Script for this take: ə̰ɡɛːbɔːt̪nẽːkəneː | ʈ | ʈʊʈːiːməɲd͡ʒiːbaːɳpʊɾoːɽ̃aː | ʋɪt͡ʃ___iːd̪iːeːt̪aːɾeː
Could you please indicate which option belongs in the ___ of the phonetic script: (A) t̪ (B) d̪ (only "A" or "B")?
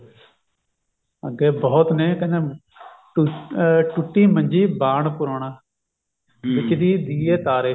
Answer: B